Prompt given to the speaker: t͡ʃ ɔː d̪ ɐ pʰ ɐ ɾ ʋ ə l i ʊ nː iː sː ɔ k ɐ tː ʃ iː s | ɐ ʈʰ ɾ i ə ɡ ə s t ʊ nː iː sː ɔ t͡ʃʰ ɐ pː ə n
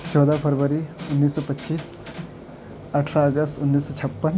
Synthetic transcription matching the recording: t͡ʃ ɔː d̪ a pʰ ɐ ɾ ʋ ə ɾ i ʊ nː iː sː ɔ p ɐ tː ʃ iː s | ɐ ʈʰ ɾ a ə ɡ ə s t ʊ nː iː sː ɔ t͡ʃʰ ɐ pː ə n